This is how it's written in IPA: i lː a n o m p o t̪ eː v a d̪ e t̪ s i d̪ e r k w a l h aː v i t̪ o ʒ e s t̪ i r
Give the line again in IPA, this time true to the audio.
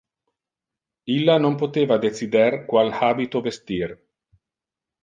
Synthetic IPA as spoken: i lː a n o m p o t̪ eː v a d̪ e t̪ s i d̪ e r k w a l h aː b i t̪ o v e s t̪ i r